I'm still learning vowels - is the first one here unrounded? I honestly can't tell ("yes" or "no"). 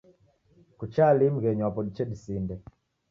no